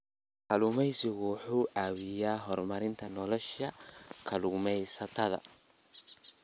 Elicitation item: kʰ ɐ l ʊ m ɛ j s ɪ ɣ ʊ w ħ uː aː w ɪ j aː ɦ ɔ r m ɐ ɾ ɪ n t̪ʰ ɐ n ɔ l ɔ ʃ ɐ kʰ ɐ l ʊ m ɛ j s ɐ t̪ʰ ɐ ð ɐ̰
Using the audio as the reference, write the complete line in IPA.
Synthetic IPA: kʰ ɐ l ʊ m ɛ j s ɪ ɣ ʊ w ħ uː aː w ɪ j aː ɦ ɔ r m ɐ ɾ ɪ n t̪ʰ ɐ n ɔ l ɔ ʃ ɐ kʰ ɐ l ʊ m ɛ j s ɐ t̪ʰ ɐ ð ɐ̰